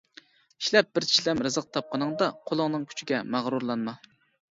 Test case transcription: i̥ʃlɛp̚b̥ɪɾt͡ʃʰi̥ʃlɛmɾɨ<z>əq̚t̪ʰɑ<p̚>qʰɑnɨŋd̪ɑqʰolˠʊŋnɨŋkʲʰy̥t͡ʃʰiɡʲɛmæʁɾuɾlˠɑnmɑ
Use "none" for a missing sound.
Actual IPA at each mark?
z, p̚

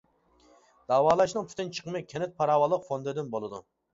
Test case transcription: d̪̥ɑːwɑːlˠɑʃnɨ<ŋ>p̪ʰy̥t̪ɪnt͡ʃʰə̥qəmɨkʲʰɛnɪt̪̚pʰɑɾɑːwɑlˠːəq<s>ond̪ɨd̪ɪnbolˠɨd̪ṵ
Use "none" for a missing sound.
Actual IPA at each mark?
ŋ, f

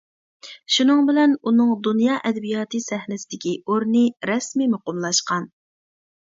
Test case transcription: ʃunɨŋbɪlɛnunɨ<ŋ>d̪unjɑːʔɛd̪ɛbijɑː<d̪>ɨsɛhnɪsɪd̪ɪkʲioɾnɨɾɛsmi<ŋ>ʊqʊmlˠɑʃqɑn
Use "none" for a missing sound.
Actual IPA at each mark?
ŋ, t̪, m

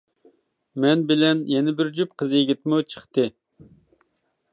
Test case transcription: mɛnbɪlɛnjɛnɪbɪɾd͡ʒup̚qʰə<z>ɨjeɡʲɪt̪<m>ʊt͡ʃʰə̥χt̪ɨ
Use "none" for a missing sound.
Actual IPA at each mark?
z, m

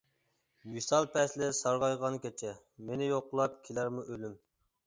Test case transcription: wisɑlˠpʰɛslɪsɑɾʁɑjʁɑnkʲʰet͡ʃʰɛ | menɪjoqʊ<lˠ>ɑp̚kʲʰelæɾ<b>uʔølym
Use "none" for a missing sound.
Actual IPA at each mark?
lˠ, m

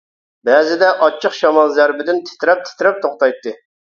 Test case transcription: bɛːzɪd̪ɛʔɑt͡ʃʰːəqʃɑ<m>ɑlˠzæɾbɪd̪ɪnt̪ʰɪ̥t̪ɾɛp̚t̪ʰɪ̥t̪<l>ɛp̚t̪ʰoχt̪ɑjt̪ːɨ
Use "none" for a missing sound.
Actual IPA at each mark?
m, ɾ

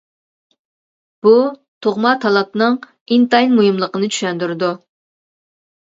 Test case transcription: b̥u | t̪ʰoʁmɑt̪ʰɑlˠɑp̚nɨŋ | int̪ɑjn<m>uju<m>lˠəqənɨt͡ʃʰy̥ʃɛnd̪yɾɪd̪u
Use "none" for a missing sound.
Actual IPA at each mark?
m, m

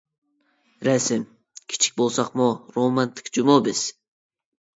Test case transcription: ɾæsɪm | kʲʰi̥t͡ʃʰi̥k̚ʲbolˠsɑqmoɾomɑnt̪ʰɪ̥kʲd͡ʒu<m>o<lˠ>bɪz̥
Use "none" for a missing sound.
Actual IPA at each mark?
m, none

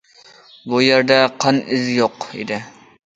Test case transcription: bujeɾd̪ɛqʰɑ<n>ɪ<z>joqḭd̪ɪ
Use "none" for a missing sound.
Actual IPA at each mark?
n, z

